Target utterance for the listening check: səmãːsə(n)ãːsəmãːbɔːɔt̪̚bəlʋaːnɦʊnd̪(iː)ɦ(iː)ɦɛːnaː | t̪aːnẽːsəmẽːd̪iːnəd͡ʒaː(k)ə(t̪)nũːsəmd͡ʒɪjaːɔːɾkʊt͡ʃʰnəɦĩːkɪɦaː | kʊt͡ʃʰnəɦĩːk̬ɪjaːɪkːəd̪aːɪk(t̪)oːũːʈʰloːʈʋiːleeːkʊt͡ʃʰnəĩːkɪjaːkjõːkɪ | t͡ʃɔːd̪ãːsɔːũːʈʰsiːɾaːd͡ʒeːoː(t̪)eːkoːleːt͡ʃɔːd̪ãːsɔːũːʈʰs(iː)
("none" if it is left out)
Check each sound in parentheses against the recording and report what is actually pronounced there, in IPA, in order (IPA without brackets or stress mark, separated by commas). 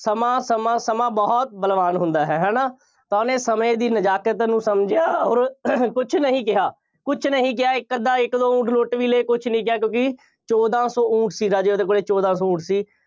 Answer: m, aː, ɛː, k, t̪, d̪, d̪, iː